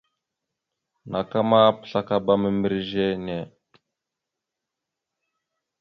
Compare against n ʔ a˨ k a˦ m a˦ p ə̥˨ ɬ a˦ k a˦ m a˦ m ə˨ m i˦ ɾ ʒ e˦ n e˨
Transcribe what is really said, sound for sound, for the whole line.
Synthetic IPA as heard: n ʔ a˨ k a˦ m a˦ p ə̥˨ ɬ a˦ k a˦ b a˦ m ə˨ m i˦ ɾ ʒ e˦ n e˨